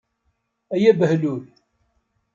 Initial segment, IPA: æ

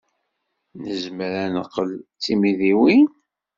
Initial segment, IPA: n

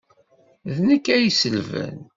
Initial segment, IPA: ð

